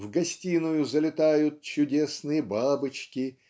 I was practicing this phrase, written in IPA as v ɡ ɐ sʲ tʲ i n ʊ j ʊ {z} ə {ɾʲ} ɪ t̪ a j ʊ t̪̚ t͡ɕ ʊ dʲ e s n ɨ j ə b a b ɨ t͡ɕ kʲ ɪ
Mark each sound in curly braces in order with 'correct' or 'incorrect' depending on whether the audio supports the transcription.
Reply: correct, incorrect: lʲ

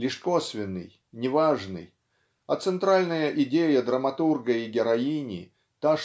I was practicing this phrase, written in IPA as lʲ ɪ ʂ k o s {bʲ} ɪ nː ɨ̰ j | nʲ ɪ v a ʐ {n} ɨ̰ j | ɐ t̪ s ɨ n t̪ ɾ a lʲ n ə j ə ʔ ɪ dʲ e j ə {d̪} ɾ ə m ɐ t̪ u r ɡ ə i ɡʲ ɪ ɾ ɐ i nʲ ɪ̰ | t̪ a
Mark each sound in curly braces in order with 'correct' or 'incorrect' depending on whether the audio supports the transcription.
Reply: incorrect: vʲ, correct, correct

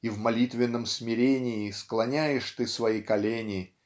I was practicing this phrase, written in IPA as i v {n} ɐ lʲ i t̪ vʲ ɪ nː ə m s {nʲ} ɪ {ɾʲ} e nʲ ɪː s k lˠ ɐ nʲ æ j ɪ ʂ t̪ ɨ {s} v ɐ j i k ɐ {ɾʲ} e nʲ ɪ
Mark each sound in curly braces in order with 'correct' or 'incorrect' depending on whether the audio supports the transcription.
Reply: incorrect: m, incorrect: mʲ, correct, correct, incorrect: lʲ

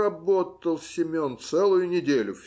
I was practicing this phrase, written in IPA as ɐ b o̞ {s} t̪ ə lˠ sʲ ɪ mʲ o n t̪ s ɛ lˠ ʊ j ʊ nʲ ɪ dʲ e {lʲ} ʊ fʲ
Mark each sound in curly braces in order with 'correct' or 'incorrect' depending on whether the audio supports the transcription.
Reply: incorrect: t, correct

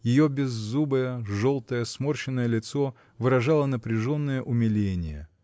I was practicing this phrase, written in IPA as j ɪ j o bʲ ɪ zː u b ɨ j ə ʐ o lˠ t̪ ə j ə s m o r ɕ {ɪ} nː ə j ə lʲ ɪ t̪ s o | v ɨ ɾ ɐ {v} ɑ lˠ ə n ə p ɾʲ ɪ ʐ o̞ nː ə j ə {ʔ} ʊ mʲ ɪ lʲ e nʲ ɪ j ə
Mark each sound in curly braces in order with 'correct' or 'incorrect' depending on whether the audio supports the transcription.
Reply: correct, incorrect: ʐ, correct

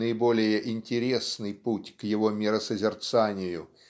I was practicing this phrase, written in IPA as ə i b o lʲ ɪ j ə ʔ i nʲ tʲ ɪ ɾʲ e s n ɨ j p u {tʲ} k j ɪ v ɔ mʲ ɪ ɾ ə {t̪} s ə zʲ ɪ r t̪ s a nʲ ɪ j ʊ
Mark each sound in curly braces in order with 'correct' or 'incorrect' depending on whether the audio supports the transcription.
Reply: correct, incorrect: none

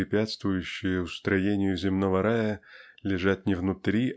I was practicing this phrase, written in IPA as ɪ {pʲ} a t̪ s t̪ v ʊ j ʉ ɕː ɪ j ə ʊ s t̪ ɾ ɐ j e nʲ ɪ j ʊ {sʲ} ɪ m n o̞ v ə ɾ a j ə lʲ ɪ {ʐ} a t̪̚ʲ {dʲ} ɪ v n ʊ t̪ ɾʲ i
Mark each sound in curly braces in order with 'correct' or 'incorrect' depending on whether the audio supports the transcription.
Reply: correct, incorrect: zʲ, correct, incorrect: nʲ

